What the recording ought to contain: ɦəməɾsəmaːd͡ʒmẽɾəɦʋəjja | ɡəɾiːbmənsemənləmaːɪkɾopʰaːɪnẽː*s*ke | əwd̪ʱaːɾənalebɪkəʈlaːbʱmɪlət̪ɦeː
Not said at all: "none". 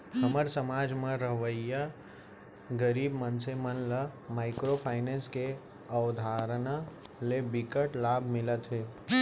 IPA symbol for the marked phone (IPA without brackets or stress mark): s